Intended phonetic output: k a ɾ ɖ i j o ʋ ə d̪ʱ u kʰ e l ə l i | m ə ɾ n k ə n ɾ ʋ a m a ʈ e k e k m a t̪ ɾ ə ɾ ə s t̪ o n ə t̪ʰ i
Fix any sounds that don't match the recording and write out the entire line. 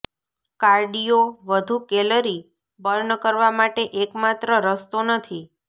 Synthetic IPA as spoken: k a ɾ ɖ i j o ʋ ə d̪ʱ u k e l ə ɾ i | b ə ɾ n k ə ɾ ʋ a m a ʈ e ʔ e k m a t̪ ɾ ə ɾ ə s t̪ o n ə t̪ʰ i